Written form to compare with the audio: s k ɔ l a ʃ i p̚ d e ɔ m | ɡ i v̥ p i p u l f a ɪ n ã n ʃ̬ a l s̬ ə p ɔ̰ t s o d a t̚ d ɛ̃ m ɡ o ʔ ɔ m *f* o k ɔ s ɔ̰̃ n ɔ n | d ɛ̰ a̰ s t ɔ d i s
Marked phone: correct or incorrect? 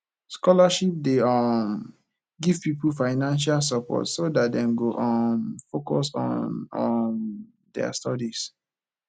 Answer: correct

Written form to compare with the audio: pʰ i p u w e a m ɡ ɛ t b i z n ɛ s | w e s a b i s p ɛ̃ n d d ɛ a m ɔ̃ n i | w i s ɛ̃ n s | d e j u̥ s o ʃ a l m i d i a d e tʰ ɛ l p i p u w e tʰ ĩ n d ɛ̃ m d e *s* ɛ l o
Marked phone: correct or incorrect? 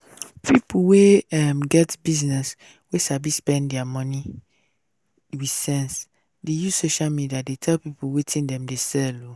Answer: correct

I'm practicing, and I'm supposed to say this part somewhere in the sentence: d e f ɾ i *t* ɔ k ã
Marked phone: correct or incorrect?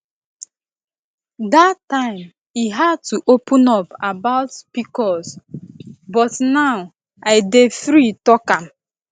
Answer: correct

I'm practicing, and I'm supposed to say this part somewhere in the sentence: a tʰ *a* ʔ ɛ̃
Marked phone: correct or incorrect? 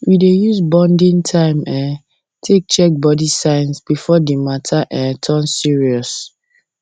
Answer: correct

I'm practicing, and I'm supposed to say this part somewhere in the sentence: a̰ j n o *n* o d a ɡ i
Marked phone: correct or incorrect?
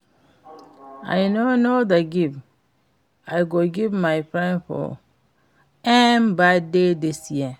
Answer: correct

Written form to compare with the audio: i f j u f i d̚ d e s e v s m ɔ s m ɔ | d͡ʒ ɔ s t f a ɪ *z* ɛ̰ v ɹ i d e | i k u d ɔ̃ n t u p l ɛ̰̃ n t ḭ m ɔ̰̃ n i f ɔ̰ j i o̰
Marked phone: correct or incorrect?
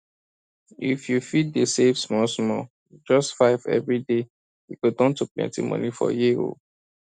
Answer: incorrect: v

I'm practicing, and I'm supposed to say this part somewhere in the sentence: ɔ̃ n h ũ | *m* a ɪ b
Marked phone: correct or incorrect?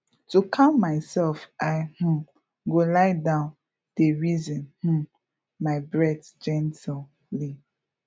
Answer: correct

